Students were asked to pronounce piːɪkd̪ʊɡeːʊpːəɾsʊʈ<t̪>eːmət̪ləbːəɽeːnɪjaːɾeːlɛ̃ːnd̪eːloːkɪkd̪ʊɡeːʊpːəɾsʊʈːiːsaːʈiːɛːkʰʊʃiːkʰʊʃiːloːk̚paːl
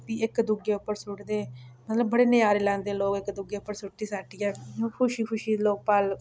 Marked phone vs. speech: incorrect: d̪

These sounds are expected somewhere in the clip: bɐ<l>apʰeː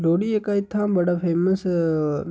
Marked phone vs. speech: incorrect: ɽ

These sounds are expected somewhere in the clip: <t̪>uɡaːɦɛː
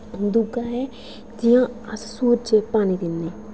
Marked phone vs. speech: incorrect: d̪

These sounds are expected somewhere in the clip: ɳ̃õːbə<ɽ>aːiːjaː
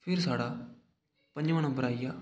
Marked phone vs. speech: incorrect: ɾ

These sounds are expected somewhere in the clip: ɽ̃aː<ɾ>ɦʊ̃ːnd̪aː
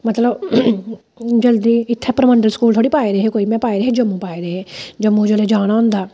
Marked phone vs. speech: incorrect: none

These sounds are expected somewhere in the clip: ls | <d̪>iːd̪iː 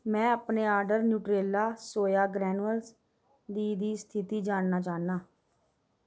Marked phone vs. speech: correct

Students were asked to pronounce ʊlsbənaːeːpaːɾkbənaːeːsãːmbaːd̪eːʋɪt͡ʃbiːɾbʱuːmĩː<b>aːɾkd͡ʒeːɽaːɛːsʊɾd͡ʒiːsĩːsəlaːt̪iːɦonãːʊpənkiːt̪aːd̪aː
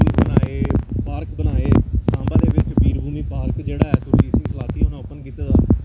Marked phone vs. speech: incorrect: p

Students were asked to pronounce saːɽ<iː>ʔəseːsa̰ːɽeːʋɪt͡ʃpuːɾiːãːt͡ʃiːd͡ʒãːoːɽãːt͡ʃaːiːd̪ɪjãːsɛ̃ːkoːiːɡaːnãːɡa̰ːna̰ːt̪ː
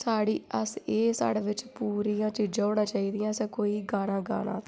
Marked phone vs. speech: correct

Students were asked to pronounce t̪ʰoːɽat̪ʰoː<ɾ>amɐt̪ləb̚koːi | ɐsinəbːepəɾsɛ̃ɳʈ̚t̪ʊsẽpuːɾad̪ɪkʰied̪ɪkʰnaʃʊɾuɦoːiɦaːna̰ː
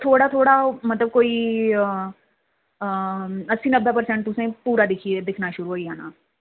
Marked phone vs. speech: incorrect: ɽ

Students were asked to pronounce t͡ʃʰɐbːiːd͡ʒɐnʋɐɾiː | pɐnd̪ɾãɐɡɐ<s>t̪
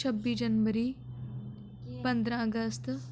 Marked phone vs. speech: correct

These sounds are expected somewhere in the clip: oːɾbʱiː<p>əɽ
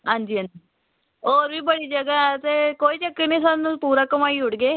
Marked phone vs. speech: incorrect: b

